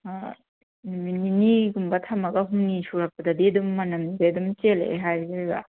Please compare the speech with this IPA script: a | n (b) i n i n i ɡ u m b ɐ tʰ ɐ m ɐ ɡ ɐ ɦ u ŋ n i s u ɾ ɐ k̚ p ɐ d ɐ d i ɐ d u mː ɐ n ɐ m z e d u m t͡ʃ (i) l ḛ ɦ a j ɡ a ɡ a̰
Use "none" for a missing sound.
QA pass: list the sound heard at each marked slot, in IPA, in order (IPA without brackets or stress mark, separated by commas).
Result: m, e